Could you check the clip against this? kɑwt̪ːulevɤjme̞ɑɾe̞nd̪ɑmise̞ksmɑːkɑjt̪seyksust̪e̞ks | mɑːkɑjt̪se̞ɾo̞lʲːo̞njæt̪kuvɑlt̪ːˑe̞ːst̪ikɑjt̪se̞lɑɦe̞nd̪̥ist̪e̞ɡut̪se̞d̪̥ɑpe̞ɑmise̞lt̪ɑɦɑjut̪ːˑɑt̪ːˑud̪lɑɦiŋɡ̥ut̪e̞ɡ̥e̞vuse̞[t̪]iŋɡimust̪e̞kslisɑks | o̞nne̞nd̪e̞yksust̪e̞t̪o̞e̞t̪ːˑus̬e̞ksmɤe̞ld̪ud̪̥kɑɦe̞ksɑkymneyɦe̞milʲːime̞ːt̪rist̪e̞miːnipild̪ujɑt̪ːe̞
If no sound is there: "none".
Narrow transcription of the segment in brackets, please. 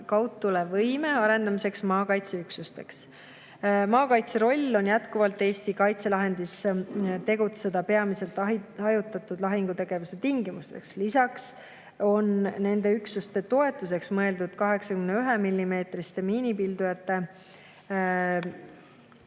t̪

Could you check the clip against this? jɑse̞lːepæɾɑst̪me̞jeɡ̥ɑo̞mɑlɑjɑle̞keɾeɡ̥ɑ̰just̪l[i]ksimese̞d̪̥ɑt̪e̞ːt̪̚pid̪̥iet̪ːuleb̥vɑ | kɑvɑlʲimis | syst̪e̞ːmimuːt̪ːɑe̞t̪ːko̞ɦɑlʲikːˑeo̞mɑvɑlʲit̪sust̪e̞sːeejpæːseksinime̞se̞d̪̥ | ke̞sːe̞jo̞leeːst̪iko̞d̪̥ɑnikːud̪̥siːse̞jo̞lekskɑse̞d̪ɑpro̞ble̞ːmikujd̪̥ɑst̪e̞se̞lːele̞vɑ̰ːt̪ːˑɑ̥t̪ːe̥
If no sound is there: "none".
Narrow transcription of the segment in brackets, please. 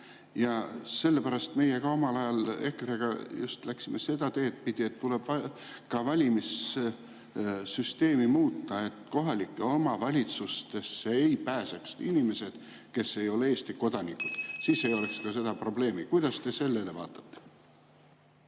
æ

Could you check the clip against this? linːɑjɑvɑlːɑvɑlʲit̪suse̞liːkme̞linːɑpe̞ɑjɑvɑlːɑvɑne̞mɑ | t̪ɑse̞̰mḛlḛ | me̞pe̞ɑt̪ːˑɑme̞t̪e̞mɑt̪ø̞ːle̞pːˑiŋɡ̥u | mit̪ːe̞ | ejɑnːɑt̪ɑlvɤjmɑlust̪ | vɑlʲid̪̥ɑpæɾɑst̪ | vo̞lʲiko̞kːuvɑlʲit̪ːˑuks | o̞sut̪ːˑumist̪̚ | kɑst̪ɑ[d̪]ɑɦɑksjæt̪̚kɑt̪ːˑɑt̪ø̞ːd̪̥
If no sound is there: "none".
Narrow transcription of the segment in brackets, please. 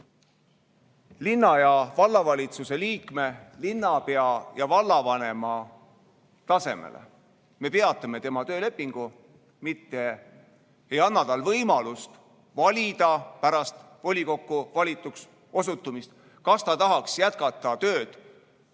t̪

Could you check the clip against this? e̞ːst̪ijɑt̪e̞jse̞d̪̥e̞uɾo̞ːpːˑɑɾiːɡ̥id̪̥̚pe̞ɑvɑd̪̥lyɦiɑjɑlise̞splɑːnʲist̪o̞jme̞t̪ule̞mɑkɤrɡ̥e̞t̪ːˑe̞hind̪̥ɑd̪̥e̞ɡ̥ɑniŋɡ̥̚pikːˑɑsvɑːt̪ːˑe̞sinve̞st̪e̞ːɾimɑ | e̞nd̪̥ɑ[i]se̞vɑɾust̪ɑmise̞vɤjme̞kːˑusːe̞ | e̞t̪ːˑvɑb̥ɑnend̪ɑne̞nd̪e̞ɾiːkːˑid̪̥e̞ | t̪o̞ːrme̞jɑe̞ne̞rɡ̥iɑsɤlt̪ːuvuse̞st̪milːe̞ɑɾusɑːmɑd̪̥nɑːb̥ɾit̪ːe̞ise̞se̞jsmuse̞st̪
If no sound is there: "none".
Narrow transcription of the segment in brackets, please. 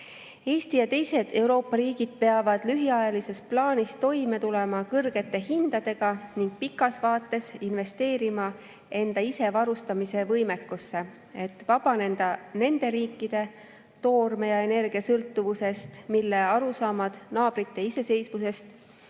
i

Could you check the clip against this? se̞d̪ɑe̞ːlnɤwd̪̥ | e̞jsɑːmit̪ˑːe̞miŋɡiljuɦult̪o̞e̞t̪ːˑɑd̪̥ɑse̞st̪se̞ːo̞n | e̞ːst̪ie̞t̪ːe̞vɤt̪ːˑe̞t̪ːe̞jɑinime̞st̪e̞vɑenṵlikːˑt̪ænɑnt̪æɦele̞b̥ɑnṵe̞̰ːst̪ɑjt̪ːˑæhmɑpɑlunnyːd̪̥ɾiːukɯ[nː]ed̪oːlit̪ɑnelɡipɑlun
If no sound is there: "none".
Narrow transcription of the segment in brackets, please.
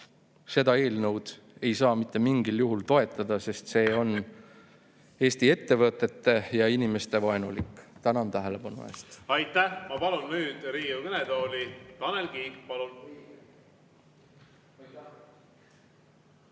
n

